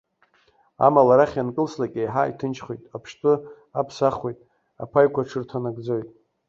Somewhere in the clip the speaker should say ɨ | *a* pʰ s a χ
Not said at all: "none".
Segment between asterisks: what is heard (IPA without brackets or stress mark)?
a